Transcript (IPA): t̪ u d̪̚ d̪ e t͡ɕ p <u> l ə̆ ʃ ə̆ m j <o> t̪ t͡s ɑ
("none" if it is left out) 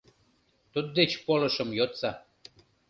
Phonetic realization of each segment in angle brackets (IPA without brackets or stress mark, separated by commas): o, o